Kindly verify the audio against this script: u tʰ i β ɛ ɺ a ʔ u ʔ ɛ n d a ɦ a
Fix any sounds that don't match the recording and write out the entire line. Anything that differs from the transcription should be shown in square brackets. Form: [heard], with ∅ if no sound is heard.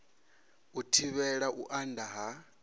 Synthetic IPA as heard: u tʰ i β ɛ ɺ a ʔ u ʔ [a] n d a ɦ a